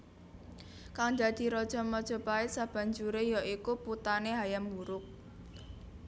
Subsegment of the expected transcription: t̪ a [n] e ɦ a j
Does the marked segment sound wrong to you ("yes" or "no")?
no